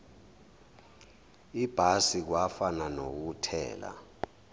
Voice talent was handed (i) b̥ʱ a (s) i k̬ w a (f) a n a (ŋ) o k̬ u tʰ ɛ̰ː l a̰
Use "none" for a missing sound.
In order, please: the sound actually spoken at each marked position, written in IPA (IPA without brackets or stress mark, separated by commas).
i, s, f, n